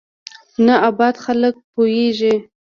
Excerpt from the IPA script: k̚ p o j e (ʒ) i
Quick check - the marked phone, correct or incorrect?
correct